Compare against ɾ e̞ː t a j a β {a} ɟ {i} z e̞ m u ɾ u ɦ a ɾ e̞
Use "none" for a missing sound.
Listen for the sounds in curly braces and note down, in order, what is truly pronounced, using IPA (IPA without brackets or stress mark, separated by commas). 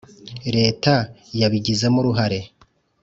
i, i